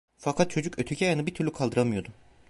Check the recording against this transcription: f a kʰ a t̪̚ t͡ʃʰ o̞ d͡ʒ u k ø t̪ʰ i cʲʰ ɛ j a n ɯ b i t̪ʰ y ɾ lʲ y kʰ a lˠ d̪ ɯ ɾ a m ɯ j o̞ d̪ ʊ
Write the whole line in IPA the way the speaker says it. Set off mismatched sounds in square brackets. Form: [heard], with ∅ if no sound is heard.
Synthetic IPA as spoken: f a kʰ a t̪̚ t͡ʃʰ o̞ d͡ʒ u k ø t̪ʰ [y] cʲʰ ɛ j a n ɯ b i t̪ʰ y ɾ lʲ y kʰ a lˠ d̪ ɯ ɾ a m ɯ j o̞ d̪ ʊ

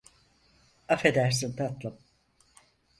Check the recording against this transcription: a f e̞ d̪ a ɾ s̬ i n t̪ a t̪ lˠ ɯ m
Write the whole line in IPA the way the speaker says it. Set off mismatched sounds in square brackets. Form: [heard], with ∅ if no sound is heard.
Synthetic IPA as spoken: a f e̞ d̪ [æ] ɾ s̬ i n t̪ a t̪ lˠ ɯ m

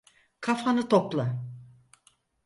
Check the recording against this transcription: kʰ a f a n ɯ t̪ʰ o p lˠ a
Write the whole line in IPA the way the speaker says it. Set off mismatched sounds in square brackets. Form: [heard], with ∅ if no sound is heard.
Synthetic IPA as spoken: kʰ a f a n ɯ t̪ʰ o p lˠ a

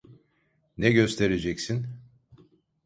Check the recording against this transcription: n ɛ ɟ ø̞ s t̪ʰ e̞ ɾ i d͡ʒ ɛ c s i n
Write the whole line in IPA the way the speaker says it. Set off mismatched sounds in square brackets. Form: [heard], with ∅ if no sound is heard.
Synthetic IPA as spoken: n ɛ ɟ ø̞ s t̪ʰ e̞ ɾ [e] d͡ʒ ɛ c s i n

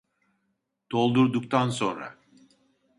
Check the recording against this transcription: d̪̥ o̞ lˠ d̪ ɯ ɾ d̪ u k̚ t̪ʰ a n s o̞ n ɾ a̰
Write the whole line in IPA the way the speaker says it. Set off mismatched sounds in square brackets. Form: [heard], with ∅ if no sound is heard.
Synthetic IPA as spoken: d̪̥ o̞ lˠ d̪ [u] ɾ d̪ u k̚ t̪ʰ a n s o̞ n ɾ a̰

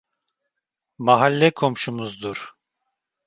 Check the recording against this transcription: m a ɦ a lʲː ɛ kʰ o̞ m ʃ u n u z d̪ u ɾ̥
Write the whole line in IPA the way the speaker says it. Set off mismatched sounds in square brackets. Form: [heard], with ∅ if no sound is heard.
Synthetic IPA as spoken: m a ɦ a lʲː ɛ kʰ o̞ m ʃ u [m] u z d̪ u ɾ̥

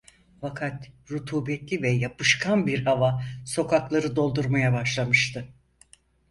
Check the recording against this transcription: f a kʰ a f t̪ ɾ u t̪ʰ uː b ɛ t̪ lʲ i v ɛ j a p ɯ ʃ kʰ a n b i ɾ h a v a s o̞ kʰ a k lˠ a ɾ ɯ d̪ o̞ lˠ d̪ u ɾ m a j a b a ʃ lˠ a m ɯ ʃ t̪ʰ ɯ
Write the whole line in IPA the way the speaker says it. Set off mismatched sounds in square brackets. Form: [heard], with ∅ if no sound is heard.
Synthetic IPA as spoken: f a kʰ a [∅] t̪ ɾ u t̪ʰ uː b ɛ t̪ lʲ i v ɛ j a p ɯ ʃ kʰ a n b i ɾ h a v a s o̞ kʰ a k lˠ a ɾ ɯ d̪ o̞ lˠ d̪ u ɾ m a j a b a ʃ lˠ a m ɯ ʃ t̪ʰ ɯ

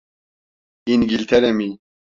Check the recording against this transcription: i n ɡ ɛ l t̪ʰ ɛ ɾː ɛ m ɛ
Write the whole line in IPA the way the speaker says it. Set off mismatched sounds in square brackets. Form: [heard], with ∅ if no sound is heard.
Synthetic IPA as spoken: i n ɡ [i] l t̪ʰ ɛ [ɾ] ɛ m [i]

